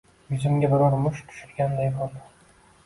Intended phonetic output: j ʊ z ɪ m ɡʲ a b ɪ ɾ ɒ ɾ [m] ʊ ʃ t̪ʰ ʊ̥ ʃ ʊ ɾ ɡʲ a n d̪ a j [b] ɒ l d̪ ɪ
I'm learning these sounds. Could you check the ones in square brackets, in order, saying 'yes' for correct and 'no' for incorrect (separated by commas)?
yes, yes